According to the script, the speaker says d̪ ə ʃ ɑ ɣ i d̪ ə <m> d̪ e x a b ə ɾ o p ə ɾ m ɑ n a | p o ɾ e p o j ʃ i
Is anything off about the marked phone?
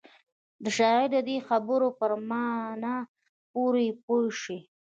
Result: yes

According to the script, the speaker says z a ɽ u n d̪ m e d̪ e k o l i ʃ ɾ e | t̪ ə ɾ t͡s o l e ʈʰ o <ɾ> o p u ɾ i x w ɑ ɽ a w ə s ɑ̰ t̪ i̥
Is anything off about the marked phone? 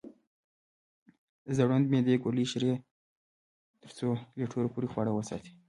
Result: no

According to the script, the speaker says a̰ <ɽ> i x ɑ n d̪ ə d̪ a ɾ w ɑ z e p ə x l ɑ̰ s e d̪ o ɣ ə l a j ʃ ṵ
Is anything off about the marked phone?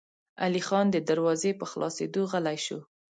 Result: yes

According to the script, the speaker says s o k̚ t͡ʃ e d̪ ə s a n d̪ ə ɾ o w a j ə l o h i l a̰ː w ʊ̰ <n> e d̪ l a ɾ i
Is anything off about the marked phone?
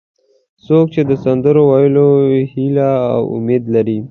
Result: yes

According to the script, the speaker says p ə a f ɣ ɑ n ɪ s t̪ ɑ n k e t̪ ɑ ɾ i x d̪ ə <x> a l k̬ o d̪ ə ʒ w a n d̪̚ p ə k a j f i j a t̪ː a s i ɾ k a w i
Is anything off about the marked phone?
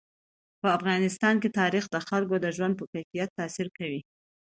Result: no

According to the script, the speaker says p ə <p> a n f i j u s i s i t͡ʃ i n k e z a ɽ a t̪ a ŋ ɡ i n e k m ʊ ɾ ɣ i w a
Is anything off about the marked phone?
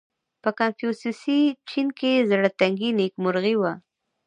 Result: yes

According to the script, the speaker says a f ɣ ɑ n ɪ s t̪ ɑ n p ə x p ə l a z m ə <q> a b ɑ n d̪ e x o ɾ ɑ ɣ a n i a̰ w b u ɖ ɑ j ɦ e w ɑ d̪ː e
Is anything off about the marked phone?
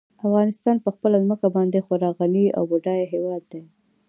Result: yes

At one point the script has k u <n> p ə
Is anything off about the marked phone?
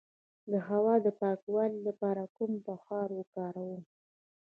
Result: yes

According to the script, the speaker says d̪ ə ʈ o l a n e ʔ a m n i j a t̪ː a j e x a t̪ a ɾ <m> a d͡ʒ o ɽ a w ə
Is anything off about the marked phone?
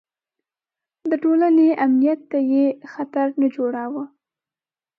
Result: yes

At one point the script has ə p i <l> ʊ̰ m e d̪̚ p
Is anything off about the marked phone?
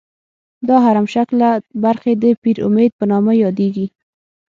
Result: yes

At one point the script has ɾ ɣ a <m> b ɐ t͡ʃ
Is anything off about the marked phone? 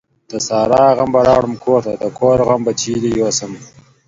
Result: no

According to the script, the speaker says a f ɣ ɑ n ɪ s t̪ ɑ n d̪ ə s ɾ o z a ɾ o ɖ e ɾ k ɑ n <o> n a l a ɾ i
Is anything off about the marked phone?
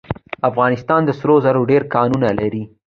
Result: yes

